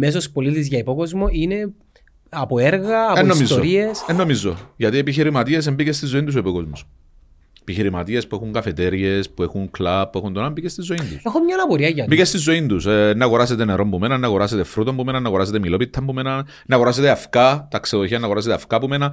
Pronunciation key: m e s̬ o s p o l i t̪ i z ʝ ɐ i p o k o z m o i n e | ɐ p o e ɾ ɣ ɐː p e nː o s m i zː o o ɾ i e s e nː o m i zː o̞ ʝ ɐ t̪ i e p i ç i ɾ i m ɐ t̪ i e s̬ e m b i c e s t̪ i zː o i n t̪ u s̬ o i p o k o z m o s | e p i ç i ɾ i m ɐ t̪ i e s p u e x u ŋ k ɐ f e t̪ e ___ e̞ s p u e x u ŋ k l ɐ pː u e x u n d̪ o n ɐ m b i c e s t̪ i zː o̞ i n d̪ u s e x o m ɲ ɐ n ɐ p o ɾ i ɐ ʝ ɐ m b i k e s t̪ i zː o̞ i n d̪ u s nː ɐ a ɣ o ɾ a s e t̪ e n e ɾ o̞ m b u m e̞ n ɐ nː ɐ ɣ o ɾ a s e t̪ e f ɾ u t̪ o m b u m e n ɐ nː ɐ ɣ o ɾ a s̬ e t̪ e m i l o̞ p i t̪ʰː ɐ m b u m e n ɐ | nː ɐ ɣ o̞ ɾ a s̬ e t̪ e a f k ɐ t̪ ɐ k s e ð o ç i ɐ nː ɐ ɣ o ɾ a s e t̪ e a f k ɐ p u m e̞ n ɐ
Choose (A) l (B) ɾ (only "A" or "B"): B